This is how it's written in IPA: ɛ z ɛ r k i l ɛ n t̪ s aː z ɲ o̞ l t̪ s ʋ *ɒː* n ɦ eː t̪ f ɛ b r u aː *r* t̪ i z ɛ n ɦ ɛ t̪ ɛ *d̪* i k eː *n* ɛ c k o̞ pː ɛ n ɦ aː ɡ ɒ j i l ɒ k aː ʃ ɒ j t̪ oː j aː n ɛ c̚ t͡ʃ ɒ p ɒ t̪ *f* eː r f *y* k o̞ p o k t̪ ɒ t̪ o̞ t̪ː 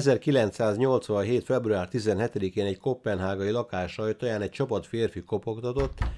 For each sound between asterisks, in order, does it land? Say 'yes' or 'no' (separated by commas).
no, yes, yes, yes, yes, no